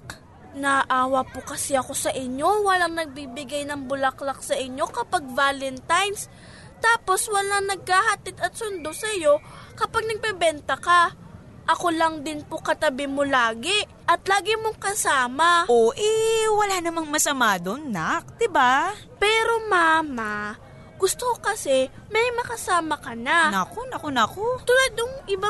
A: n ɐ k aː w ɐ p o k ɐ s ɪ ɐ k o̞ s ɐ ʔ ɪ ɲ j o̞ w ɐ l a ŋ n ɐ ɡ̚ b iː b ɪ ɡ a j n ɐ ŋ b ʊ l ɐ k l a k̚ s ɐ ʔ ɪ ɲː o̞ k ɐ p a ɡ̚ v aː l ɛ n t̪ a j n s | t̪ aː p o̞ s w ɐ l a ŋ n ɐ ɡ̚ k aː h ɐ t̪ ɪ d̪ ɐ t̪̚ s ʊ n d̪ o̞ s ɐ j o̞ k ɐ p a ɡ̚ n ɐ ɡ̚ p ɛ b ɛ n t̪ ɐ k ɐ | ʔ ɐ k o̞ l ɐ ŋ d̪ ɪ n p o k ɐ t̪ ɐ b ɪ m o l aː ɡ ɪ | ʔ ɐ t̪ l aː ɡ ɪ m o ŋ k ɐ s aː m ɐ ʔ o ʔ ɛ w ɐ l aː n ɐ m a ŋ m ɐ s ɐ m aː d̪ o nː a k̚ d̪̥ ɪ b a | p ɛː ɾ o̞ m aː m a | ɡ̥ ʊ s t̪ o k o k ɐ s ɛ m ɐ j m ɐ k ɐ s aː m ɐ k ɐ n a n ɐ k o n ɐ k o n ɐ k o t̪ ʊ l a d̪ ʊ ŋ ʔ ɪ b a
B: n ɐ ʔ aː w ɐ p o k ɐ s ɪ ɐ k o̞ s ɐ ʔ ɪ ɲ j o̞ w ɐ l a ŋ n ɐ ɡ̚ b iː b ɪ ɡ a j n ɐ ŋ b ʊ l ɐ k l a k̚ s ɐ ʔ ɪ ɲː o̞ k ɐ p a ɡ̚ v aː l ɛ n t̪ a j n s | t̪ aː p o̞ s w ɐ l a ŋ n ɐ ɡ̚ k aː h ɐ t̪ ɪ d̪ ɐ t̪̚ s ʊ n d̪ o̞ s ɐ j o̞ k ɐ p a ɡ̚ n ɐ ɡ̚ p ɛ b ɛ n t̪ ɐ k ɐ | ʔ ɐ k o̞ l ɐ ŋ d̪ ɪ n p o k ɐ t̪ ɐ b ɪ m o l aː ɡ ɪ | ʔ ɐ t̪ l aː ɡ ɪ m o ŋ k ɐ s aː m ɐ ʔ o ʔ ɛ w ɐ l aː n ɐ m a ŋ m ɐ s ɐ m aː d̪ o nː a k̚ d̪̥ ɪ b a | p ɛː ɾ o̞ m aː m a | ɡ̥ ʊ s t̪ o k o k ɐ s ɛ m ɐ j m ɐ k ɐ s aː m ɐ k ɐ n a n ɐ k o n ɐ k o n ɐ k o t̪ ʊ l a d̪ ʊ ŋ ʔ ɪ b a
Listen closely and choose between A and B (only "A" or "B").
B